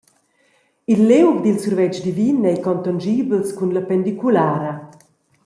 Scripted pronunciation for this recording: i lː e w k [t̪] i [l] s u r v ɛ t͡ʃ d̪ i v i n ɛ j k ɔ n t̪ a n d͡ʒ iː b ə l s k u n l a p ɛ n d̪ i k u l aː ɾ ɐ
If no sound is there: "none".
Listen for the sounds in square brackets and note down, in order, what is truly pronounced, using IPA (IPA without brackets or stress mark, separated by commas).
d̪, l